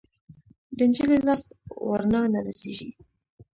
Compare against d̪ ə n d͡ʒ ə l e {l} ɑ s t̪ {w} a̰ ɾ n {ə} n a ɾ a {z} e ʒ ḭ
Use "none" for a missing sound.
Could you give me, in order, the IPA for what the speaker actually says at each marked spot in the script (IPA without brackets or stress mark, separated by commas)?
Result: l, w, ɑ, s